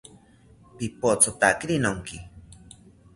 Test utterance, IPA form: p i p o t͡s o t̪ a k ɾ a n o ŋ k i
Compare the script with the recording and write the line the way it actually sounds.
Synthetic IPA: p i p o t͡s o t̪ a k ɾ i n o ŋ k i

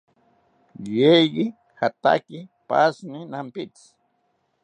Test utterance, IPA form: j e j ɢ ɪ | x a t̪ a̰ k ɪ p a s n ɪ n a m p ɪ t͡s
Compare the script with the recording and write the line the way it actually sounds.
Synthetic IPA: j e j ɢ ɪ | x a t̪ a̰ k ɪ p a s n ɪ n a m p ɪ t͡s

